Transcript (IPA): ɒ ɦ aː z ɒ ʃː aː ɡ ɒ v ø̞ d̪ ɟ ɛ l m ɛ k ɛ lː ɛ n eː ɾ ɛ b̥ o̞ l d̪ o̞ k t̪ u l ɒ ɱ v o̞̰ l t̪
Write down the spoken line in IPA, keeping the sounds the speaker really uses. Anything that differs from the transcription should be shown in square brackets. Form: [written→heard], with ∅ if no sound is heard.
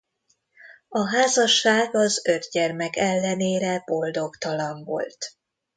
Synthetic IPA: ɒ ɦ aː z ɒ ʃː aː ɡ ɒ [v→z] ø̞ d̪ ɟ ɛ [l→r] m ɛ k ɛ lː ɛ n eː ɾ ɛ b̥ o̞ l d̪ o̞ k t̪ [u→ɒ] l ɒ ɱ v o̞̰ l t̪